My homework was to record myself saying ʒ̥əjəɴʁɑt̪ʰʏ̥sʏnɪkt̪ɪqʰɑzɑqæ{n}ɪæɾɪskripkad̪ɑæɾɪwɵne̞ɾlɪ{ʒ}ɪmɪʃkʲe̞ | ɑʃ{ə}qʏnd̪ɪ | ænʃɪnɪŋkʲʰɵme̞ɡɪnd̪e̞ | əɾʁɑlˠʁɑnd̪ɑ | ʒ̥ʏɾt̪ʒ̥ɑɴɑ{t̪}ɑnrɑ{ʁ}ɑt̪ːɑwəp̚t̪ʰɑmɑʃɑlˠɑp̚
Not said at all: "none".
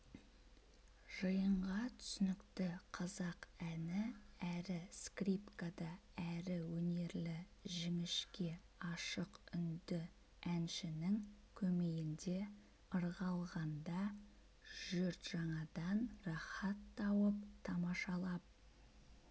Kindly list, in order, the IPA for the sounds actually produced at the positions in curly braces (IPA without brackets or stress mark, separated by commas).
n, ʒ, ə, d̪, χ